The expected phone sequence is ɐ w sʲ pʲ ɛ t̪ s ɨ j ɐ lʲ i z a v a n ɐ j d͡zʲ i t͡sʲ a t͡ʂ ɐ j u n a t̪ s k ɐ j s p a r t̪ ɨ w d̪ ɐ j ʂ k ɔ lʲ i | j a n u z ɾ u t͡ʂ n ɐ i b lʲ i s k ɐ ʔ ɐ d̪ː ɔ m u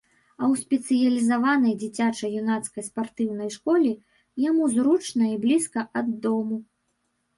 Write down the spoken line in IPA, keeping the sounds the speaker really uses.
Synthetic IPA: ɐ w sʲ pʲ ɛ t̪ s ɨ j ɐ lʲ i z a v a n ɐ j d͡zʲ i t͡sʲ a t͡ʂ ɐ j u n a t̪ s k ɐ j s p a r t̪ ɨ w n̪ ɐ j ʂ k ɔ lʲ i | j a m u z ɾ u t͡ʂ n ɐ i b lʲ i s k ɐ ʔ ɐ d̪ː ɔ m u

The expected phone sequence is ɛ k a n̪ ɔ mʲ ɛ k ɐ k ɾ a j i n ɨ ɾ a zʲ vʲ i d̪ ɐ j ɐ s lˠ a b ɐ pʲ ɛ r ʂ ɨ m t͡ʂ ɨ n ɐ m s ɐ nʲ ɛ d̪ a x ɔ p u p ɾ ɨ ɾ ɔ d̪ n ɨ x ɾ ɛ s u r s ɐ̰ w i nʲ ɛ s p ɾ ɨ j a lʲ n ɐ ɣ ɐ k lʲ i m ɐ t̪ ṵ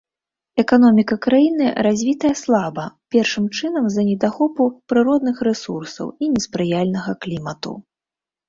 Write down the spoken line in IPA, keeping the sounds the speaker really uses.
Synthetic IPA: ɛ k a n̪ ɔ mʲ i k ɐ k ɾ a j i n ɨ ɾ a zʲ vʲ i t̪ ɐ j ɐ s lˠ a b ɐ pʲ ɛ r ʂ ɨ m t͡ʂ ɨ n ɐ m z ɐ nʲ ɛ d̪ a x ɔ p u p ɾ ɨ ɾ ɔ d̪ n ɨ x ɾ ɛ s u r s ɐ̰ w i nʲ ɛ s p ɾ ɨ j a lʲ n ɐ ɣ ɐ k lʲ i m ɐ t̪ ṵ

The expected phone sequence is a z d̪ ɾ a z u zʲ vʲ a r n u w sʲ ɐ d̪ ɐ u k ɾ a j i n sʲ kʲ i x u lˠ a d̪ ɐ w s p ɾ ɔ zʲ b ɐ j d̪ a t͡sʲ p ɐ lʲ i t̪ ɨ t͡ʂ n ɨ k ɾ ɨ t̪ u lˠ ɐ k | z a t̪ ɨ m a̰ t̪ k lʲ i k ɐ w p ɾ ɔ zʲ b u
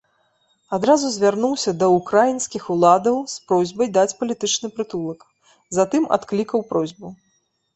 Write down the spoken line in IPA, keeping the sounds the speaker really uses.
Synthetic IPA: a d̪ ɾ a z u zʲ vʲ a r n u w sʲ ɐ d̪ ɐ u k ɾ a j i n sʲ kʲ i x u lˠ a d̪ ɐ w s p ɾ ɔ zʲ b ɐ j d̪ a t͡sʲ p ɐ lʲ i t̪ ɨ t͡ʂ n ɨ p ɾ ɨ t̪ u lˠ ɐ k | z a t̪ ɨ m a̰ t̪ k lʲ i k ɐ w p ɾ ɔ zʲ b u

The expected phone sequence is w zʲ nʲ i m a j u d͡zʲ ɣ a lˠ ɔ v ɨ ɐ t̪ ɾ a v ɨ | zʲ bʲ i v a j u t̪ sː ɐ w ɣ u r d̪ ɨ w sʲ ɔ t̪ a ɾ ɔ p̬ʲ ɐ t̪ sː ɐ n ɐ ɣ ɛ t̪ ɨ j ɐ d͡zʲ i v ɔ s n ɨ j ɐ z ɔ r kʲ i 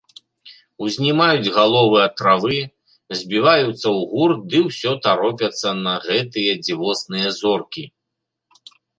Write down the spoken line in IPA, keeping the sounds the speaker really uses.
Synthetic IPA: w zʲ nʲ i m a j u d͡zʲ ɣ a lˠ ɔ v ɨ ɐ t̪ ɾ a v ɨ | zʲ bʲ i v a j u t̪ sː ɐ w ɣ u r d̪ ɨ w sʲ ɔ t̪ a ɾ ɔ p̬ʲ ɐ t̪ sː ɐ n ɐ ɣ ɛ t̪ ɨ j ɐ d͡zʲ i v ɔ s n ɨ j ɐ z ɔ r kʲ i

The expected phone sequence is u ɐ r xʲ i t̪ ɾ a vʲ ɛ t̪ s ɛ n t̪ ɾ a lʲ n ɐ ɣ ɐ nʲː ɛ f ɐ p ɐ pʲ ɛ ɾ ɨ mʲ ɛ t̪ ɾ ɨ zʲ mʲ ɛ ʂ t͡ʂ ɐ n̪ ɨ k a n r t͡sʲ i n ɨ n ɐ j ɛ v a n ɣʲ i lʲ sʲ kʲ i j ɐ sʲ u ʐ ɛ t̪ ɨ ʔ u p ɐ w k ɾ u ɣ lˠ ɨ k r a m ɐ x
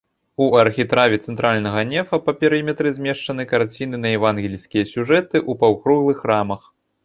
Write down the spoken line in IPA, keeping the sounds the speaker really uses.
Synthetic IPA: u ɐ r xʲ i t̪ ɾ a vʲ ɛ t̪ s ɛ n t̪ ɾ a lʲ n ɐ ɣ ɐ nʲ ɛ f ɐ p ɐ pʲ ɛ ɾ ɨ mʲ ɛ t̪ ɾ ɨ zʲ mʲ ɛ ʂ t͡ʂ ɐ n̪ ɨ k a r t͡sʲ i n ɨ n ɐ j ɛ v a n ɣʲ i lʲ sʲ kʲ i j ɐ sʲ u ʐ ɛ t̪ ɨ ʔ u p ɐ w k ɾ u ɣ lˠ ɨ x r a m ɐ x

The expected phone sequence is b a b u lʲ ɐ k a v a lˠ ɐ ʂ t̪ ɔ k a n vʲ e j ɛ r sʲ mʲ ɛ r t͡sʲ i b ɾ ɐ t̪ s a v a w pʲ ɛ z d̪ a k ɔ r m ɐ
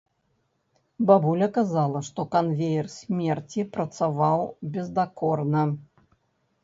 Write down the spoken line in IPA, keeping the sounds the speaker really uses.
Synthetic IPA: b a b u lʲ ɐ k a z a lˠ ɐ ʂ t̪ ɔ k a n vʲ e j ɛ r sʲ mʲ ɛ r t͡sʲ i p ɾ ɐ t̪ s a v a w bʲ ɛ z d̪ a k ɔ r n ɐ

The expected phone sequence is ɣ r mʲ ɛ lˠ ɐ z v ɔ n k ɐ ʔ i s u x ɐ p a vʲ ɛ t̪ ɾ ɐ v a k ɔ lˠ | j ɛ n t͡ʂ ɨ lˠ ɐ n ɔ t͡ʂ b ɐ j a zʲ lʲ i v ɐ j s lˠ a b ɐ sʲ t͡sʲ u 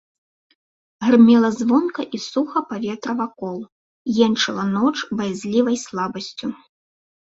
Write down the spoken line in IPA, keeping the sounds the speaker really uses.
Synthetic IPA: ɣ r mʲ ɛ lˠ ɐ z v ɔ n k ɐ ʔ i s u x ɐ p a vʲ ɛ t̪ ɾ ɐ v a k ɔ lˠ | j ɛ n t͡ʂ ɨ lˠ ɐ n ɔ t͡ʂ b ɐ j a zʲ lʲ i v ɐ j s lˠ a b ɐ sʲ t͡sʲ u

